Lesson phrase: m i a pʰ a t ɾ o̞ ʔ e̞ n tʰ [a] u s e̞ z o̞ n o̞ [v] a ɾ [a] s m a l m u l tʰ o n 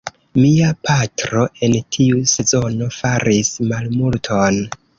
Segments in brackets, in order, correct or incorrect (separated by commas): incorrect, incorrect, incorrect